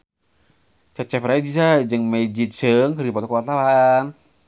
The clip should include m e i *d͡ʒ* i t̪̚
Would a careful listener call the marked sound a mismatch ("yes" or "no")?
no